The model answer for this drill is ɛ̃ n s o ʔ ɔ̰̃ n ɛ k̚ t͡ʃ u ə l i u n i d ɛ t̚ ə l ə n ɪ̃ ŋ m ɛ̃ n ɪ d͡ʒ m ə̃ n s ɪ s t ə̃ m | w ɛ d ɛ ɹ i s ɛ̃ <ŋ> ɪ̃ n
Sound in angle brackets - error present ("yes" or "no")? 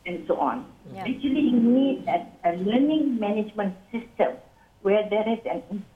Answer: yes